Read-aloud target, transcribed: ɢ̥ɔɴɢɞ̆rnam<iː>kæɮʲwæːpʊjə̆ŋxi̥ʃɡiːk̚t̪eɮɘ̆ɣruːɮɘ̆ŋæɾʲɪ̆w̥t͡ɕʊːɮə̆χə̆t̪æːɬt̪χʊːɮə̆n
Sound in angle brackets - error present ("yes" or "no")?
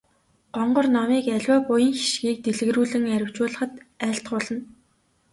no